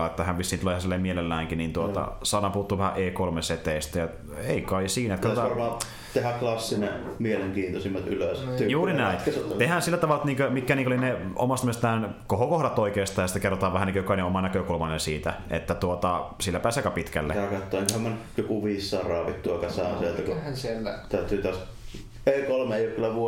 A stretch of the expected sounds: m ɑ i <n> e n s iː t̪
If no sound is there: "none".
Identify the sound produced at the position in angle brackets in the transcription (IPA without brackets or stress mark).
n